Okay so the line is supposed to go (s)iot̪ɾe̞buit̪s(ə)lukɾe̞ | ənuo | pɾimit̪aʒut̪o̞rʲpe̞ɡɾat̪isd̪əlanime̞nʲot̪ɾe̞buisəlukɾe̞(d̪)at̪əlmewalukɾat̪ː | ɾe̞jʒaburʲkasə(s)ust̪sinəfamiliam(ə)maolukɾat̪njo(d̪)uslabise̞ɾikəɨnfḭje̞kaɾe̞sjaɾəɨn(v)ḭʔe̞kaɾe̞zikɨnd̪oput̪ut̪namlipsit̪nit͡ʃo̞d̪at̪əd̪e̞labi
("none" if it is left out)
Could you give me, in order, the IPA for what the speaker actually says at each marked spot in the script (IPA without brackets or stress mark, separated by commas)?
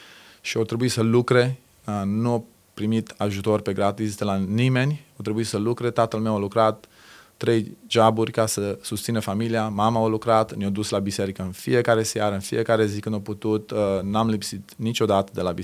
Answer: ʃ, ə, t̪, s, a, d̪, f